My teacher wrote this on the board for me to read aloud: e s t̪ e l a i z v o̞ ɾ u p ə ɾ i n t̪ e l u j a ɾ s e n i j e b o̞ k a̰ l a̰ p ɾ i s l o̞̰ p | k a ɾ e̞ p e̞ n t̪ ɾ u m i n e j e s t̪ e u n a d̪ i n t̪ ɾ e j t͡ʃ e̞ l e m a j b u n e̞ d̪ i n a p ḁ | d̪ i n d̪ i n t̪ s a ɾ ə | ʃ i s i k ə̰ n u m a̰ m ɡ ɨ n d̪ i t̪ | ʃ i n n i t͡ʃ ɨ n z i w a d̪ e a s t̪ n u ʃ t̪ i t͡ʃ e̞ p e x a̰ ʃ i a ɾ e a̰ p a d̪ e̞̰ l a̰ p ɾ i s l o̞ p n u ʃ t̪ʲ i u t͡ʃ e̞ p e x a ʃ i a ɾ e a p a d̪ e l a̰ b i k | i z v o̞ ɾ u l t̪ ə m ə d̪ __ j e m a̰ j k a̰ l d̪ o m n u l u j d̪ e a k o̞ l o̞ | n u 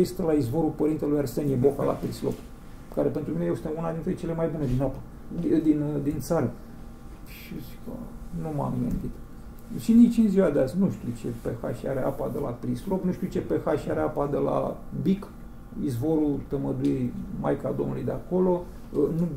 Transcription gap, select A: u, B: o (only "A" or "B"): A